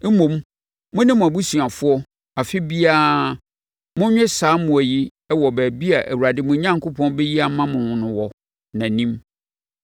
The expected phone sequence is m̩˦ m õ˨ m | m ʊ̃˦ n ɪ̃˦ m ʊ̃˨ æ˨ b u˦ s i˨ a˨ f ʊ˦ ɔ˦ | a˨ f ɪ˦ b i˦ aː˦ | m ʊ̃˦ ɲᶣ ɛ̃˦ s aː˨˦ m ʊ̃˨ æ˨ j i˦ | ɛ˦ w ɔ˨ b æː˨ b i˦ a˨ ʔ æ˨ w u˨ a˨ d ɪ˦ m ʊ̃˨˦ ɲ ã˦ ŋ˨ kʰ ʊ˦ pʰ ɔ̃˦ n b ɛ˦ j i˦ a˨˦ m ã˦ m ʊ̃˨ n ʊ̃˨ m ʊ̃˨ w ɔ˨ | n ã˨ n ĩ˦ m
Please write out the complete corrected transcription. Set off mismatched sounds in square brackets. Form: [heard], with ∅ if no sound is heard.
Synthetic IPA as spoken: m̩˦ m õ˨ m | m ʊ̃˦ n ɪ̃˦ m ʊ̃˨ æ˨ b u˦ s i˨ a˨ f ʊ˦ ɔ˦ | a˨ f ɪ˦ b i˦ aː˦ | m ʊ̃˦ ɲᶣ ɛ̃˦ s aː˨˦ m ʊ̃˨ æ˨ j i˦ | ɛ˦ w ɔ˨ b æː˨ b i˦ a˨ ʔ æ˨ w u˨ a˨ d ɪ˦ m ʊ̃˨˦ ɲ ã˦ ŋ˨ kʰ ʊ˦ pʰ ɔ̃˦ n b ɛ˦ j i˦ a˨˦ m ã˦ m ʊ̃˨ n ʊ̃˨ [n] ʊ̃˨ w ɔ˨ | n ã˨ n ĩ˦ m